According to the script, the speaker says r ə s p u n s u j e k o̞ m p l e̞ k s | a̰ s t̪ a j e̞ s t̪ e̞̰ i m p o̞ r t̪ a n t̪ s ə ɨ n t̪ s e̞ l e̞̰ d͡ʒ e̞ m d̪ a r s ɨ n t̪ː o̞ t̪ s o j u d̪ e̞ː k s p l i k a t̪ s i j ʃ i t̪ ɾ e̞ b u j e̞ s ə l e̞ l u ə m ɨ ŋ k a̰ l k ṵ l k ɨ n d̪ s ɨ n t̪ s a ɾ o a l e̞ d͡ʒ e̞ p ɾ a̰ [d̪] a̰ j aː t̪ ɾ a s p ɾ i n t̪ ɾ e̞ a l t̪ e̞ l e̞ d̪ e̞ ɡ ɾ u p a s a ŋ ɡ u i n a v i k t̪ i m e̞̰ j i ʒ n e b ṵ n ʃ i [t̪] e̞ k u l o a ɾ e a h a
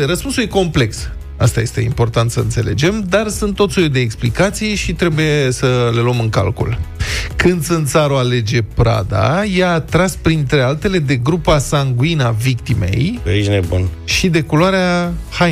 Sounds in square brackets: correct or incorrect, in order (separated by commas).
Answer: correct, incorrect